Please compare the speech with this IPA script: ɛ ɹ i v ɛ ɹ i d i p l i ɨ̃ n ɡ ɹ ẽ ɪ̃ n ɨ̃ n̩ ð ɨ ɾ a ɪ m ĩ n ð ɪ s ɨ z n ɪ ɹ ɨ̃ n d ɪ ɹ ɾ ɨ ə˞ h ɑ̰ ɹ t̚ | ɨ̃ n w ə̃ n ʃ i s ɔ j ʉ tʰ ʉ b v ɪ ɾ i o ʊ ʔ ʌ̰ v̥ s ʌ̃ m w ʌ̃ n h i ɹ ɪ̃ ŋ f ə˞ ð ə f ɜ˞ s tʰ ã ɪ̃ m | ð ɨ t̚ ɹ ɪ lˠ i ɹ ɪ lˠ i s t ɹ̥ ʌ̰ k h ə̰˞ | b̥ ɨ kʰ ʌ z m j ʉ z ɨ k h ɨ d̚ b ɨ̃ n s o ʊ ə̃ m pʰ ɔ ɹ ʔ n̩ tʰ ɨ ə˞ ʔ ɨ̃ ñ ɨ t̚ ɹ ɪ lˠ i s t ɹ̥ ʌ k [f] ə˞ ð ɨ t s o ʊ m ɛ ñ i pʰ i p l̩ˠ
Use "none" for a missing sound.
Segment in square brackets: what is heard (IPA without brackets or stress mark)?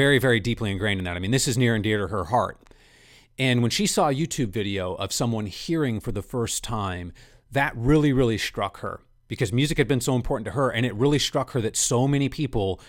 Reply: h